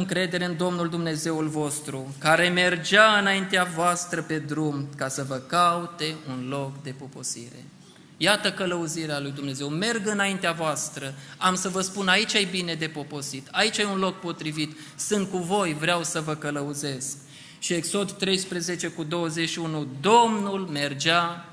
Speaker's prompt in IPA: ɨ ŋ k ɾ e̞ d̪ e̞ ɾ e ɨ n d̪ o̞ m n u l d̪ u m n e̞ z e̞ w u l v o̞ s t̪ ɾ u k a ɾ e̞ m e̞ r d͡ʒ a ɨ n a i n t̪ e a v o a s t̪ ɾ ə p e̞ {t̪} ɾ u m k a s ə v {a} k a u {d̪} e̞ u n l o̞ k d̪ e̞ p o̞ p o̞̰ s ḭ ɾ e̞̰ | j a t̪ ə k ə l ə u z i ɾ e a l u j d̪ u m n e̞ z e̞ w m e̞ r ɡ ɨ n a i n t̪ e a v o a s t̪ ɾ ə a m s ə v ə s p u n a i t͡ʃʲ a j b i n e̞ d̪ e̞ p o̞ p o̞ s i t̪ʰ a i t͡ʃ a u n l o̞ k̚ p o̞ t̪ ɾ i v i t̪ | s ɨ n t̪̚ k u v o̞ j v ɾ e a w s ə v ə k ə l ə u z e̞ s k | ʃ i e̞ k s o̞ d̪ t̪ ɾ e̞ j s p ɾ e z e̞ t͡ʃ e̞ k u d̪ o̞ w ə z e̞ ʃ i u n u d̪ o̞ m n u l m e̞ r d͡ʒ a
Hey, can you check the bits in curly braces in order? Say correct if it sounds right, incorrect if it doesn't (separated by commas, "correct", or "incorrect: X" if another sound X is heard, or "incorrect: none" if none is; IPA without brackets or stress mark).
incorrect: d̪, incorrect: ə, incorrect: t̪